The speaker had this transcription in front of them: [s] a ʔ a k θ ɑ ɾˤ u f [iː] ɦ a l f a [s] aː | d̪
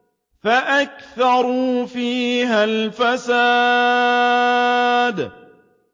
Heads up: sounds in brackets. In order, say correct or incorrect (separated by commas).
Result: incorrect, correct, correct